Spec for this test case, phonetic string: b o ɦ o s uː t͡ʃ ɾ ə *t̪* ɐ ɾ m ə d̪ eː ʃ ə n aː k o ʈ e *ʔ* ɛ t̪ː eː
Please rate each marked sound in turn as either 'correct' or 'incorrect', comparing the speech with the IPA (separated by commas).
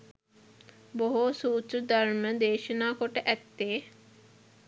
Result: incorrect, correct